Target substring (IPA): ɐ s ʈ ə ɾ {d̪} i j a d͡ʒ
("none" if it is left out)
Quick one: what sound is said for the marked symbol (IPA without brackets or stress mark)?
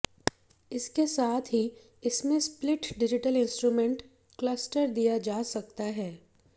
d̪